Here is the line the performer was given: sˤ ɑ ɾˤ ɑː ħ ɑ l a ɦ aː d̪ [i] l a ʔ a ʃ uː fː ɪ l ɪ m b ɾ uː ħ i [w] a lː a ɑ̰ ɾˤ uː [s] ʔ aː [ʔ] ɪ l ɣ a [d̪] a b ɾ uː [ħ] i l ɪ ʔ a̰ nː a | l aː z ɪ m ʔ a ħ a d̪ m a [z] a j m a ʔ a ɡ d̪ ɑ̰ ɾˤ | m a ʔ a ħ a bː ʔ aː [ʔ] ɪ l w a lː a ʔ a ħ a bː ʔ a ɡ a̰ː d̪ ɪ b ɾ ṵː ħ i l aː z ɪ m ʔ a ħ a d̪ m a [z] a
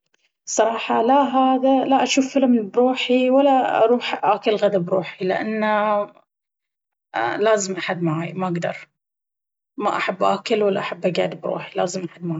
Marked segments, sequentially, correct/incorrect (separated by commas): incorrect, correct, incorrect, incorrect, correct, correct, incorrect, incorrect, incorrect